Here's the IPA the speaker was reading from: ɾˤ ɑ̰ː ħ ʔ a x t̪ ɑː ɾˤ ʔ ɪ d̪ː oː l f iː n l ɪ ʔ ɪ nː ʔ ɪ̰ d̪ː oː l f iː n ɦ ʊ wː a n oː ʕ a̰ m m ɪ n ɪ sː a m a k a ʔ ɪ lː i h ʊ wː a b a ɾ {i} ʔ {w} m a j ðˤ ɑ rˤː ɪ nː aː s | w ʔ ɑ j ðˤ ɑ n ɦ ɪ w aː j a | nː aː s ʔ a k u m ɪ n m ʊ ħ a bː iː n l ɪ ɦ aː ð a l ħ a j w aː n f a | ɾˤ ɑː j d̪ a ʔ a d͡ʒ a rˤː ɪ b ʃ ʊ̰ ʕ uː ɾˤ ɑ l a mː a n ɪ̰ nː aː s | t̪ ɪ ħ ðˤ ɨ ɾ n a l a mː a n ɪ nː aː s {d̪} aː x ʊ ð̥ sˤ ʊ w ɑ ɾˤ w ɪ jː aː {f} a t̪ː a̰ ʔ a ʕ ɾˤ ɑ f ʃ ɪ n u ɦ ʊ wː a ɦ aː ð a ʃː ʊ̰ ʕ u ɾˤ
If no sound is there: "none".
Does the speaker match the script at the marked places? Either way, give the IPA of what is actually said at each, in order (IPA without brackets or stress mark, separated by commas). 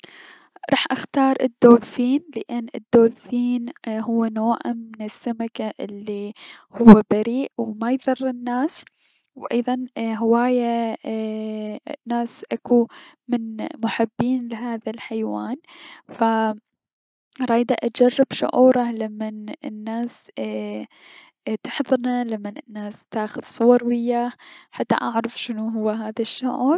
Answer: iː, w, t̪, ħ